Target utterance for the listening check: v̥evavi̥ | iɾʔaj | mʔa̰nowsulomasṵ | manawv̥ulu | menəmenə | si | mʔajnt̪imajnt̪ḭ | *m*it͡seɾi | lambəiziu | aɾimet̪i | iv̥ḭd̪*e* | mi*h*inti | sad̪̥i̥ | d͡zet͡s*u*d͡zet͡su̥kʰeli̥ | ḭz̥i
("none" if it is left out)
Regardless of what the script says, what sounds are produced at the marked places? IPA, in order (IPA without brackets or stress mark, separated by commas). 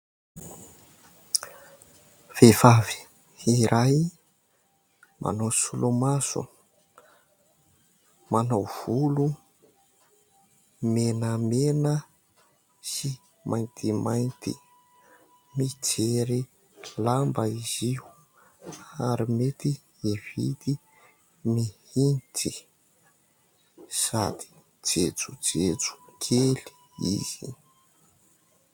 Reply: m, i, h, u